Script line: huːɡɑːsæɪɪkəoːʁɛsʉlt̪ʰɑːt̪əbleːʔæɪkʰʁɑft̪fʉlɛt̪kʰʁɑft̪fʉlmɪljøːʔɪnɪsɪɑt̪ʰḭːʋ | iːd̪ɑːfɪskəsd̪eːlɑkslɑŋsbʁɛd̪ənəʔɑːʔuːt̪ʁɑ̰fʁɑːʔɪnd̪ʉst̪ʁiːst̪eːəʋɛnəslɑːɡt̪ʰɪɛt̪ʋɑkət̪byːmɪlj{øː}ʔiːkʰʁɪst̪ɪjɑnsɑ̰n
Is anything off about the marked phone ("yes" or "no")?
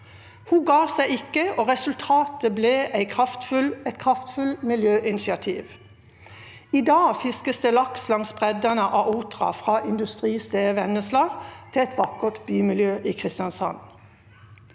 no